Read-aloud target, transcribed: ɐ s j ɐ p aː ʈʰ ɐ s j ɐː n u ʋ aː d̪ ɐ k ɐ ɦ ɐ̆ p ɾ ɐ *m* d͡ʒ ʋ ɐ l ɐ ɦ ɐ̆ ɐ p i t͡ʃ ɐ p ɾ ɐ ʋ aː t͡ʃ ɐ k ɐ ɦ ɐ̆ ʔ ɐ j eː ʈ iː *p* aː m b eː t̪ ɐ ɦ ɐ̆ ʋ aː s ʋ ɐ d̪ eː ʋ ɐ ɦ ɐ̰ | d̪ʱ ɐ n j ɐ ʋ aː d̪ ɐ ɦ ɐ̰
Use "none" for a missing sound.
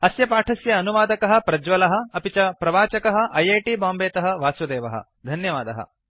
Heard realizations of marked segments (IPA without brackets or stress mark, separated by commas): none, b